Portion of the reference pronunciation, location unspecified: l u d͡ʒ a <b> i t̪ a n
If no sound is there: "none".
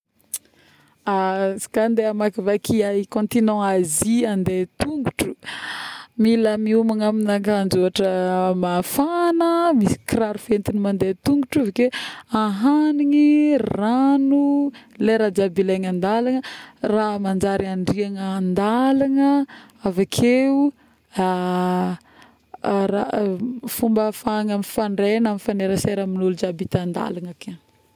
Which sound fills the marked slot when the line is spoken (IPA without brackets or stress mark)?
b